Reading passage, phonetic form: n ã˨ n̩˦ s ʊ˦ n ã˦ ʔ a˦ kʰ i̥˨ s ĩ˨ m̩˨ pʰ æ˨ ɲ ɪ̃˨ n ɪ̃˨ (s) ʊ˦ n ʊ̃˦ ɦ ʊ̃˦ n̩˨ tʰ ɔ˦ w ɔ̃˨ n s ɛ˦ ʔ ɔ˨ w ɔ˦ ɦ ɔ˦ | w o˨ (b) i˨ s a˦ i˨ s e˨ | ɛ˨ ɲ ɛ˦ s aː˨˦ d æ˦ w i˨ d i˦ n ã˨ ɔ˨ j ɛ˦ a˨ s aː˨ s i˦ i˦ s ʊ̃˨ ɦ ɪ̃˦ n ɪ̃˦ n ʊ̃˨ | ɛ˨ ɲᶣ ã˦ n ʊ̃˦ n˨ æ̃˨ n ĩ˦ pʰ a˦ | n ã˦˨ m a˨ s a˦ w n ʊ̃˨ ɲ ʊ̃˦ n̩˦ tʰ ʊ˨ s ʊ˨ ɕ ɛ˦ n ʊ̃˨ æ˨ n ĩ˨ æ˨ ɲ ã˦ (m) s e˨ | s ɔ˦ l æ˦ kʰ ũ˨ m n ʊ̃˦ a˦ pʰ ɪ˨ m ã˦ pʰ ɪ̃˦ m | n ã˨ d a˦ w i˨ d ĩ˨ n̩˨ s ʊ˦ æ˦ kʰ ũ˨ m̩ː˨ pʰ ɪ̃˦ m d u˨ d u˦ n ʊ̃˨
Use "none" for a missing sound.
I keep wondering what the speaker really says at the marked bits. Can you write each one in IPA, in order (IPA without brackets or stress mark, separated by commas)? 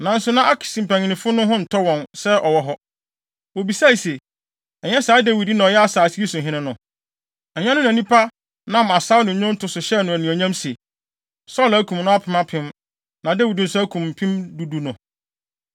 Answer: f, b, m